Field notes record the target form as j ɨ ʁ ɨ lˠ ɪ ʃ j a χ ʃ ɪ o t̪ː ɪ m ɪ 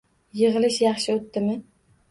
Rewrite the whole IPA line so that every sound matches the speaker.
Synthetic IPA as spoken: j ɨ ʁ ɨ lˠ ɪ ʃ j ɑ χ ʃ ɪ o t̪ː ɪ m ɪ